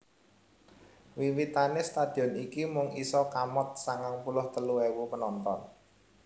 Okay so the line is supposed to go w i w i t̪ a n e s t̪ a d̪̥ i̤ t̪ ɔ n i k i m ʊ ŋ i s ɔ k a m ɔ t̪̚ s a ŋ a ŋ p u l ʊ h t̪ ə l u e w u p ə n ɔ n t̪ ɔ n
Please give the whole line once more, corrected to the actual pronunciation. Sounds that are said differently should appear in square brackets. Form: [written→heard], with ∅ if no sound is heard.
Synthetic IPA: w i w i t̪ a n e s t̪ a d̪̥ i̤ [t̪→∅] ɔ n i k i m ʊ ŋ i s ɔ k a m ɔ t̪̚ s a ŋ a ŋ p u l ʊ h t̪ ə l u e w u p ə n ɔ n t̪ ɔ n